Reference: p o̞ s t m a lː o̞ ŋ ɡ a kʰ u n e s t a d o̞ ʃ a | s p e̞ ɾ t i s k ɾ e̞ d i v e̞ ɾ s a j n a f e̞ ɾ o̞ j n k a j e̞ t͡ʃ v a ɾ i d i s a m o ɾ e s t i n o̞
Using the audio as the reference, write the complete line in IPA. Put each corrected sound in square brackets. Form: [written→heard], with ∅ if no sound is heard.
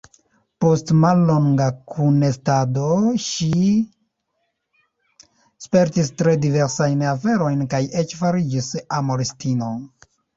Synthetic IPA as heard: p o̞ s t m a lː o̞ ŋ ɡ a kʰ u n e s t a d o̞ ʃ [a→i] | s p e̞ ɾ t i s [k→t] ɾ e̞ d i v e̞ ɾ s a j n a f e̞ ɾ o̞ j n k a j e̞ t͡ʃ [v→f] a ɾ i [d→d͡ʒ] i s a m o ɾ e s t i n o̞